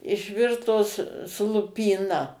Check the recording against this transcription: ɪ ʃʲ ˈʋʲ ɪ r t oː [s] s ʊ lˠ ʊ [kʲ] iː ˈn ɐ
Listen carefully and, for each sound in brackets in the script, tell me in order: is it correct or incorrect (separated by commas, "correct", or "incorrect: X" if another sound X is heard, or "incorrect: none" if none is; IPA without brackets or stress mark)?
correct, incorrect: pʲ